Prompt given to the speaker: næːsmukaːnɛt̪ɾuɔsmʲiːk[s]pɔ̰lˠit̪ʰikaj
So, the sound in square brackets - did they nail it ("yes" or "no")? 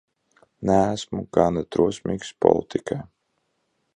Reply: yes